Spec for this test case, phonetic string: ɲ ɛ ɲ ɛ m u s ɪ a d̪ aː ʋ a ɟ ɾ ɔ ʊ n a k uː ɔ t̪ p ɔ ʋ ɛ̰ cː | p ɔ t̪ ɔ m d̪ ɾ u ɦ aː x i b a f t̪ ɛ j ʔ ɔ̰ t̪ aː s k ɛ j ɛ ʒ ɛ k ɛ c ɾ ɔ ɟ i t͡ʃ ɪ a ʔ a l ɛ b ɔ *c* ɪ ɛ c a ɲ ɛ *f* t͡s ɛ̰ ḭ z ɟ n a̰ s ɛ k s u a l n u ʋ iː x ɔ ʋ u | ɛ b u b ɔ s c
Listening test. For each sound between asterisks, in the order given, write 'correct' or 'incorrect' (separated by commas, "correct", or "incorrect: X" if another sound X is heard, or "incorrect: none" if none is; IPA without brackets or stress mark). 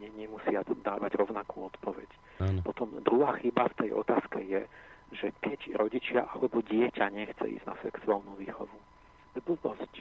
incorrect: ɟ, incorrect: x